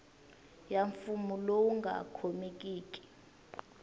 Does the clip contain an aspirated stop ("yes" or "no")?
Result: yes